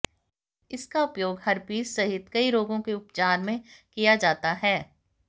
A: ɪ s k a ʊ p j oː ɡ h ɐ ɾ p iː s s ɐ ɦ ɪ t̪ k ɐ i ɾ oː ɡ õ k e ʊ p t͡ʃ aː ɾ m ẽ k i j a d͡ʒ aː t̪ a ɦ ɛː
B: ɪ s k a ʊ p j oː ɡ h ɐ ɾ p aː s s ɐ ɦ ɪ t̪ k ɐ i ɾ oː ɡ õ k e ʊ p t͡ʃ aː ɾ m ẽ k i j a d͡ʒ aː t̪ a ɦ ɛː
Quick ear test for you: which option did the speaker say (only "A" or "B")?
A